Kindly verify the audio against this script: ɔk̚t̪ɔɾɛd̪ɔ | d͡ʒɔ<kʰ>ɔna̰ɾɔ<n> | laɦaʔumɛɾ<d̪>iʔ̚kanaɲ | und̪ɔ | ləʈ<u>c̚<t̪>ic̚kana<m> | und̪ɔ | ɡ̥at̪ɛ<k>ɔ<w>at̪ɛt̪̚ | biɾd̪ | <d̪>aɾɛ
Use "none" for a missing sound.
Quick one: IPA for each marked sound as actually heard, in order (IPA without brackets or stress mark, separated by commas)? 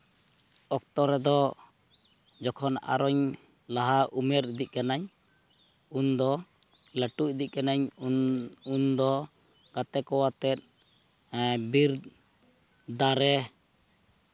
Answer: kʰ, ɲ, d̪, u, d̪, ɲ, k, w, d̪